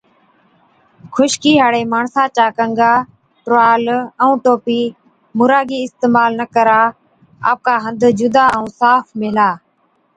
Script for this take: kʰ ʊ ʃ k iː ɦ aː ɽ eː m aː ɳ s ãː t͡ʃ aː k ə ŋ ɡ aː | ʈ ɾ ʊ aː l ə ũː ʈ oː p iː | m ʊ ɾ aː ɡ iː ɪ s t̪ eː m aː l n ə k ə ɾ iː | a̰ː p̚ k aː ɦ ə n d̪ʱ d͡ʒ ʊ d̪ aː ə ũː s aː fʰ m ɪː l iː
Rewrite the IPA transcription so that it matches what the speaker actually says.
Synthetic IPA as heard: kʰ ʊ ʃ k iː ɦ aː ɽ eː m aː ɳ s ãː t͡ʃ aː k ə ŋ ɡ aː | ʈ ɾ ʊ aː l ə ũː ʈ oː p iː | m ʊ ɾ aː ɡ iː ɪ s t̪ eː m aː l n ə k ə ɾ aː | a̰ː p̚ k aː ɦ ə n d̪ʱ d͡ʒ ʊ d̪ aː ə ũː s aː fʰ m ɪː l aː